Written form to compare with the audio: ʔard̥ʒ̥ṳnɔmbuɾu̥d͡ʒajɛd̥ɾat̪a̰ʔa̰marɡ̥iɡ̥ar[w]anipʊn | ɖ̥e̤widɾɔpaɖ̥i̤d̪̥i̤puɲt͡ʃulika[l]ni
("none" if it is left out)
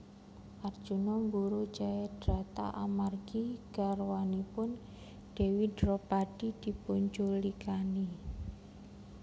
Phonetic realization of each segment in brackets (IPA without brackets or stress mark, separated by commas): w, none